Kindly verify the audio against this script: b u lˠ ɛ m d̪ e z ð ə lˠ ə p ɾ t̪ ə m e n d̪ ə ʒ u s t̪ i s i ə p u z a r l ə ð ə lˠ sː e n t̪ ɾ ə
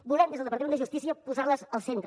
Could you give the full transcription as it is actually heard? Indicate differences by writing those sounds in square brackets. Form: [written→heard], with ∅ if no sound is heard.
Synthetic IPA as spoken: b u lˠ ɛ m d̪ e z ð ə lˠ ə p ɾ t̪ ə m e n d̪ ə ʒ u s t̪ i s i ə p u z a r l ə [ð→z] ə lˠ [sː→s] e n t̪ ɾ ə

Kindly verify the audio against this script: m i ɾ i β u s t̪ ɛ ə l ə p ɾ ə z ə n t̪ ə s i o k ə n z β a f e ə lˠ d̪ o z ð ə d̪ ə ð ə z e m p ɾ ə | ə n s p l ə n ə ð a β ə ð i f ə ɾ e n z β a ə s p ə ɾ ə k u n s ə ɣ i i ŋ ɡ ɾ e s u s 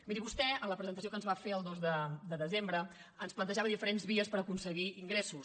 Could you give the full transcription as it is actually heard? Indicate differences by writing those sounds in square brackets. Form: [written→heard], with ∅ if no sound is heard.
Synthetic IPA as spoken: m i ɾ i β u s t̪ ɛ ə l ə p ɾ ə z ə n t̪ ə s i o k ə n z β a f e ə lˠ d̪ o z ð ə d̪ ə ð ə z e m [p→b] ɾ ə | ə n s p l ə n ə [ð→ʒ] a β ə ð i f ə ɾ e n z β [a→i] ə s p ə ɾ ə k u n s ə ɣ i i ŋ ɡ ɾ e s u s

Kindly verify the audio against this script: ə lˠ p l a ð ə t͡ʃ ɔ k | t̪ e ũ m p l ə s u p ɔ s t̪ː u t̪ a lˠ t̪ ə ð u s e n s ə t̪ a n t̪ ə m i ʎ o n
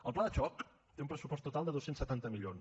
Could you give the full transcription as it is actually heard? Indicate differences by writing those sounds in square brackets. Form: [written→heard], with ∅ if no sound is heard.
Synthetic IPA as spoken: ə lˠ p l a ð ə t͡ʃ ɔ k | t̪ e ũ m p [l→ɾ] ə s u p ɔ s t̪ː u t̪ a lˠ [t̪→d̪] ə ð [u→o] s e n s ə t̪ a n t̪ ə m i ʎ o n

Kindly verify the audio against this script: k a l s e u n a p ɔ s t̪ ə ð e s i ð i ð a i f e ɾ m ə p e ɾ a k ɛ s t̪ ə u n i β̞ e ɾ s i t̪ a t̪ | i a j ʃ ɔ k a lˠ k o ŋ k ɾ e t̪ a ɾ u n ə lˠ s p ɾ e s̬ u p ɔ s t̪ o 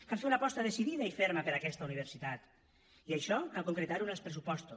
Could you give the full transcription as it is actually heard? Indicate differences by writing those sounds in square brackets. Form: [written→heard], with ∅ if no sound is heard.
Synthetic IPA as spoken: k a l [s→f] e u n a p ɔ s t̪ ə ð e s i ð i ð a i f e ɾ m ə p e ɾ a k ɛ s t̪ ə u n i β̞ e ɾ s i t̪ a t̪ | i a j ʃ ɔ k a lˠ k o ŋ k ɾ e t̪ a ɾ u n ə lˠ s p ɾ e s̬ u p ɔ s t̪ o

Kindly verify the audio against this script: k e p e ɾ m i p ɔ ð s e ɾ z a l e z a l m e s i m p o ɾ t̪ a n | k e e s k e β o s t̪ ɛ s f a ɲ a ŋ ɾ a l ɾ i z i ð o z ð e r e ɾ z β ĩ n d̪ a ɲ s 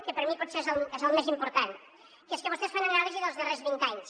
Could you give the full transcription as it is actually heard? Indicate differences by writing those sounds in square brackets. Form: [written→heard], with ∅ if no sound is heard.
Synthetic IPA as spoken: k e p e ɾ m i p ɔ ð s e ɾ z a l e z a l m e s i m p o ɾ t̪ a n | k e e s k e β o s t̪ [ɛ→e] s f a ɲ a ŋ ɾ a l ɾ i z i ð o z ð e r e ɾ z β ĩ n [d̪→t̪] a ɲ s

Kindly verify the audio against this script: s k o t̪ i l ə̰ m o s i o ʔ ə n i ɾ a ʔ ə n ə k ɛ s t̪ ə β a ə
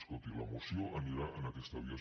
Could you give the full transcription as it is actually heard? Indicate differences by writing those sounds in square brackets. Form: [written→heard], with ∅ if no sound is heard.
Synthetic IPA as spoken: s k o t̪ i l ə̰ m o s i o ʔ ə n i ɾ a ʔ ə n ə k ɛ s t̪ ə β [a→i] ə

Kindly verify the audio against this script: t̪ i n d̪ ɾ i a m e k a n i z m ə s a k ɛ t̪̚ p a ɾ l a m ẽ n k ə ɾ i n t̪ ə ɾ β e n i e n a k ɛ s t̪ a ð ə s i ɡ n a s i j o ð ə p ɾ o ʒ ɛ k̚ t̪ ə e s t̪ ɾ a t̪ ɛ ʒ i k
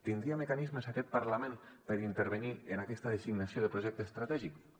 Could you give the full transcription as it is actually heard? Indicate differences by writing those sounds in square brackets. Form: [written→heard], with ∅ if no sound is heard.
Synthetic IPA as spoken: t̪ i n d̪ ɾ i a m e k a n i z m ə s a k ɛ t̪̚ p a ɾ l a m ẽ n [k→p] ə ɾ i n t̪ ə ɾ β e n i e n a k ɛ s t̪ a ð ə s i ɡ n a s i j o ð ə p ɾ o ʒ ɛ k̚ t̪ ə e s t̪ ɾ a t̪ ɛ ʒ i k

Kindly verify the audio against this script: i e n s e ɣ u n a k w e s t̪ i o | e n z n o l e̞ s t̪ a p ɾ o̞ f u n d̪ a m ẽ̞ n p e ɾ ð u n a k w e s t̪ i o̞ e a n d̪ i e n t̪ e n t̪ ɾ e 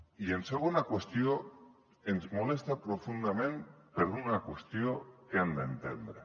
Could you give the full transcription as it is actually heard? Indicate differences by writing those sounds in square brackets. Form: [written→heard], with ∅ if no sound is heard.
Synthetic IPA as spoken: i e n s e ɣ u n a k w e s t̪ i o | e n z [n→m] o l e̞ s t̪ a p ɾ o̞ f u n d̪ a m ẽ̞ n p e ɾ ð u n a k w e s t̪ i o̞ e a n d̪ [i→a] e n t̪ e n [t̪→d̪] ɾ e

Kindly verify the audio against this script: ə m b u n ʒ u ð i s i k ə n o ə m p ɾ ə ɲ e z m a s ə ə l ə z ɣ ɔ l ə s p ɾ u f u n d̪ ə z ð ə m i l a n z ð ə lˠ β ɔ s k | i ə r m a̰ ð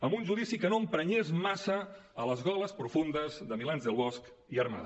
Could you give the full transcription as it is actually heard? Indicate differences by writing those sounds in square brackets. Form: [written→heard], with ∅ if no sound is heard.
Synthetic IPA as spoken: ə m b u n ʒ u ð i s i k ə n o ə m p ɾ ə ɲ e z m a s ə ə l ə z ɣ ɔ l ə s p ɾ u f u n d̪ ə z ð ə m i l a n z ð ə lˠ β ɔ s k | i ə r m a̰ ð

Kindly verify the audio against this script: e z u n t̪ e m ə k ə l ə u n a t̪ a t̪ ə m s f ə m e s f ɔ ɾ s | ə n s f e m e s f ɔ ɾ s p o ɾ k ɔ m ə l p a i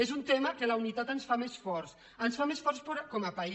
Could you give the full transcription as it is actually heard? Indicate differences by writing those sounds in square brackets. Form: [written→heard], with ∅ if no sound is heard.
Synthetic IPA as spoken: e z u n t̪ e m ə k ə l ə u n [a→i] t̪ a t̪ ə [m→n] s f [ə→a] m e s f ɔ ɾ s | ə n s f [e→a] m e s f ɔ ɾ s p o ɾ k ɔ m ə [l→∅] p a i

